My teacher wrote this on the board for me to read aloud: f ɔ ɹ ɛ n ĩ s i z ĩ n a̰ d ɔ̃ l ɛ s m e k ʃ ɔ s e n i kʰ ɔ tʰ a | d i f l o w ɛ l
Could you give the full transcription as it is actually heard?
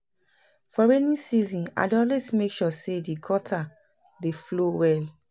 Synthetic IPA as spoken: f ɔ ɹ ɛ n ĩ s i z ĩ n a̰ d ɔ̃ l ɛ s m e k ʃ ɔ s e d i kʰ ɔ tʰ a | d e f l o w ɛ l